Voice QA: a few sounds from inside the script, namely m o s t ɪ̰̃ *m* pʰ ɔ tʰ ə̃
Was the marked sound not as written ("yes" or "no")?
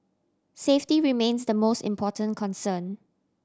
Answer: no